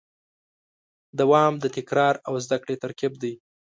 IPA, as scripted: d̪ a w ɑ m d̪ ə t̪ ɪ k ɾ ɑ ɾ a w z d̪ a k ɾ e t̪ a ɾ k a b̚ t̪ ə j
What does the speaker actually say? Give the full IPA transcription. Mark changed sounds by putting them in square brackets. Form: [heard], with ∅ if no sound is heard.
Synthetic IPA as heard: d̪ a w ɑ m d̪ ə t̪ ɪ k ɾ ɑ ɾ a w z d̪ a k [ɽ] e t̪ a ɾ k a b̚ [d̪] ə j